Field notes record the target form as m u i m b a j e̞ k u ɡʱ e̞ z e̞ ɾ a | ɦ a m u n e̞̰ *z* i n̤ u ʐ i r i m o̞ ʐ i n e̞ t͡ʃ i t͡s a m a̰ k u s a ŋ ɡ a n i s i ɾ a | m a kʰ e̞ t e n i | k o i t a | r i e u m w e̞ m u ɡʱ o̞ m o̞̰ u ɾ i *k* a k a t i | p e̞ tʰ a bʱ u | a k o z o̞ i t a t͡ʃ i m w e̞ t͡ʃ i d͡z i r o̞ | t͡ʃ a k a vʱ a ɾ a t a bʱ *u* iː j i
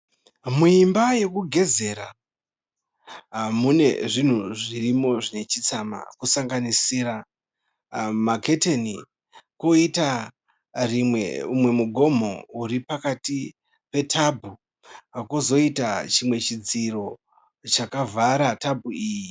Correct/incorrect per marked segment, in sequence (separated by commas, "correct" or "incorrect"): incorrect, incorrect, correct